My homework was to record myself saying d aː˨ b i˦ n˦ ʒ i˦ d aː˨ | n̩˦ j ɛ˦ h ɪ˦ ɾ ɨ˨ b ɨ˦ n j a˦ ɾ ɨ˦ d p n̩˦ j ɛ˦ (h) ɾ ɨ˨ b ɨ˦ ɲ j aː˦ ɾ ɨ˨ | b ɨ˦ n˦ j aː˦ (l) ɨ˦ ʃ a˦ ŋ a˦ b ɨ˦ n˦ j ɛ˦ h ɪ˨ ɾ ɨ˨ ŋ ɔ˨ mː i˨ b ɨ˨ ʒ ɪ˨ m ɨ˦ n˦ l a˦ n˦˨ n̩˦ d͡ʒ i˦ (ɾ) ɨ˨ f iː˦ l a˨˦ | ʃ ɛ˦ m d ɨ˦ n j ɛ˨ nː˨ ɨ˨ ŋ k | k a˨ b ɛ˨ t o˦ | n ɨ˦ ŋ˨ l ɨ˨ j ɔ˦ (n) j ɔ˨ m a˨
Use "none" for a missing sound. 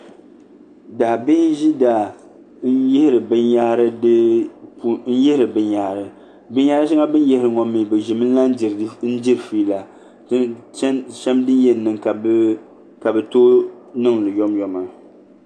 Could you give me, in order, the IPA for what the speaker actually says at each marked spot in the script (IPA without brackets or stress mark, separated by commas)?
h, ɾ, ɾ, m